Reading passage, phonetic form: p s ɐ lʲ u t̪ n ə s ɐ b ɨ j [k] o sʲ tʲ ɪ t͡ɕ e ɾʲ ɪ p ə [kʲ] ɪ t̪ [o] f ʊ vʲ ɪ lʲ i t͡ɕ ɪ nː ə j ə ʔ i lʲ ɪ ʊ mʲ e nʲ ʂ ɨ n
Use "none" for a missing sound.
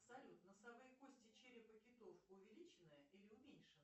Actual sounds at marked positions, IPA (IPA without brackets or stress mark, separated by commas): k, kʲ, o